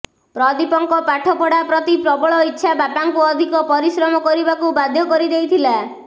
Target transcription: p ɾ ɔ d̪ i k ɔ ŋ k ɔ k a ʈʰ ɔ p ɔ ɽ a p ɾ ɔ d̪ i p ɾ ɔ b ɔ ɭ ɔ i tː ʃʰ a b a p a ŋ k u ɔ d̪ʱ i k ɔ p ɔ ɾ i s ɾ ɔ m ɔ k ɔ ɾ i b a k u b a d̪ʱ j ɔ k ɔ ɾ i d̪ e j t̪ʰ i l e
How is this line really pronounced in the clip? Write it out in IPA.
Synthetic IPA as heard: p ɾ ɔ d̪ i p ɔ ŋ k ɔ p a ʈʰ ɔ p ɔ ɽ a p ɾ ɔ t̪ i p ɾ ɔ b ɔ ɭ ɔ i tː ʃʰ a b a p a ŋ k u ɔ d̪ʱ i k ɔ p ɔ ɾ i s ɾ ɔ m ɔ k ɔ ɾ i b a k u b a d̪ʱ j ɔ k ɔ ɾ i d̪ e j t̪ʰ i l a